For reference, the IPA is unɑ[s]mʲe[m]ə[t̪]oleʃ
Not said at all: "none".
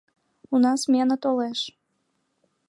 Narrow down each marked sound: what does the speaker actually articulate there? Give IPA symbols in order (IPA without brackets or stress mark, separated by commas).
s, n, t̪